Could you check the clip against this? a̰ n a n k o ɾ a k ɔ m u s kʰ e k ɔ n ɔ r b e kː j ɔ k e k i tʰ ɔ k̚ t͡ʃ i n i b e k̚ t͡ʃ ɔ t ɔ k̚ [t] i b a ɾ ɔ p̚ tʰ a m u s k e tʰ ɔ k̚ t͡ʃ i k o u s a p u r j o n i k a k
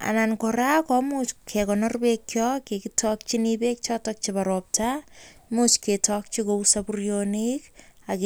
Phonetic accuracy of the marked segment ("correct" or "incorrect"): incorrect